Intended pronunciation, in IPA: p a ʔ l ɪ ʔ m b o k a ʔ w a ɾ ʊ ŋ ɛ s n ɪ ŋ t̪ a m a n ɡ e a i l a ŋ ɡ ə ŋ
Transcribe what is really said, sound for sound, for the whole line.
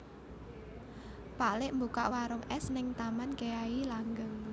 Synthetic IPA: p a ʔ l ɪ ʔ m b u k a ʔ w a ɾ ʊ ŋ ɛ s n ɪ ŋ t̪ a m a n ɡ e a i l a ŋ ɡ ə ŋ